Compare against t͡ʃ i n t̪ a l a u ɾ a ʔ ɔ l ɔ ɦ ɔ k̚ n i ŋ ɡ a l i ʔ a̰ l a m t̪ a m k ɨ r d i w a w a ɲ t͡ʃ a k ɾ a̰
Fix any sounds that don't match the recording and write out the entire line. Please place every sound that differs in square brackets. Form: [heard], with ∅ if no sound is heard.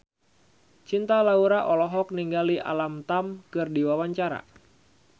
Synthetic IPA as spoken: t͡ʃ i n t̪ a l a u ɾ a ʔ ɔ l ɔ ɦ ɔ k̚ n i ŋ ɡ a l i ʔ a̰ l a m t̪ a m k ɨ r d i w a w a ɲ t͡ʃ a [∅] ɾ a̰